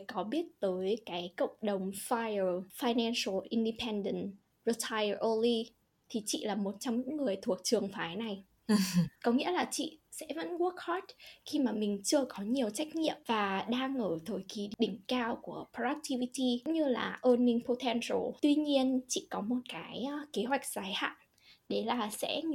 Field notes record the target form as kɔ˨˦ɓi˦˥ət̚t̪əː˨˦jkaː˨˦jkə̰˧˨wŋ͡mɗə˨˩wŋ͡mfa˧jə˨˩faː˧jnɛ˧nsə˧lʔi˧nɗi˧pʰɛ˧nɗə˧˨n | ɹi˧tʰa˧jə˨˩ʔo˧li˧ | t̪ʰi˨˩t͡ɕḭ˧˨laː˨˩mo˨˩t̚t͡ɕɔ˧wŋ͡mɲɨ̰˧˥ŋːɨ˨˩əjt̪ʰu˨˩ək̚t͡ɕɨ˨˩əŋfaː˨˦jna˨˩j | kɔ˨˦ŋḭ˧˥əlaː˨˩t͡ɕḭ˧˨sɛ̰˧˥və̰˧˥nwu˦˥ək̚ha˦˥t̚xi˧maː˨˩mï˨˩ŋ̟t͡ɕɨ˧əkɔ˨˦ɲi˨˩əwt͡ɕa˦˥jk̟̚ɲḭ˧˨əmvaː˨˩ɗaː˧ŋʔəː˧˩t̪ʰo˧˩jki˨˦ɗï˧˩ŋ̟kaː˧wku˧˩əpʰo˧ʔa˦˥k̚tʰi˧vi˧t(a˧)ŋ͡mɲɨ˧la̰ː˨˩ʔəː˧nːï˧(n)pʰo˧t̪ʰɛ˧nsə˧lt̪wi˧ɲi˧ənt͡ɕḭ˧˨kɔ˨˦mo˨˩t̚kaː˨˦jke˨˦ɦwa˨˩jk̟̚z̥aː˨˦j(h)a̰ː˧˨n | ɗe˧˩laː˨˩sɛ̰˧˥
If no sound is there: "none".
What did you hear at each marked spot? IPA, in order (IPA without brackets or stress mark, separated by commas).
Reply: i˧, ŋ, h